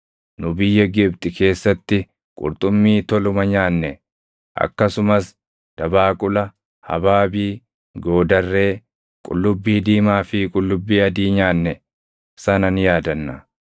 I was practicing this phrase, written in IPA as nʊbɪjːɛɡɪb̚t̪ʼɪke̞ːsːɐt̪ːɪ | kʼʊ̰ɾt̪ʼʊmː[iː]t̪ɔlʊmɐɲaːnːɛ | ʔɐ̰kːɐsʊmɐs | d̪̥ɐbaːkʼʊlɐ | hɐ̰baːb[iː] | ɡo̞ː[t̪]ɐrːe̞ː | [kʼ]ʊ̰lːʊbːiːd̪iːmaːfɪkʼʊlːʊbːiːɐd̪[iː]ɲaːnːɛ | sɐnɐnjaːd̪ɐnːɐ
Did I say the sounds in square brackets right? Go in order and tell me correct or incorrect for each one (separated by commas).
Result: correct, correct, incorrect, correct, correct